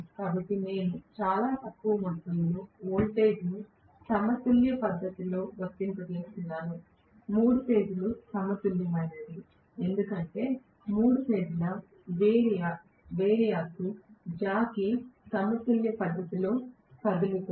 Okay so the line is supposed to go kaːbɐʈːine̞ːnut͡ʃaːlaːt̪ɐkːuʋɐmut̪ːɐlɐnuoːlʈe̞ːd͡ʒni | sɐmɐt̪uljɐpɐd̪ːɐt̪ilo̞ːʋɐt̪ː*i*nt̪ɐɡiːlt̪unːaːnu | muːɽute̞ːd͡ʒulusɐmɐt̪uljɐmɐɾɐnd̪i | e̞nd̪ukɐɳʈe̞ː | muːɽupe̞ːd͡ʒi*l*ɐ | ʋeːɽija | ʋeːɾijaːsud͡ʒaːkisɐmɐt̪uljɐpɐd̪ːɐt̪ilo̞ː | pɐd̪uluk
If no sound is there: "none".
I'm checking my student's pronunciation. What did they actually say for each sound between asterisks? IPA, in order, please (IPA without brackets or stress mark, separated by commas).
i, l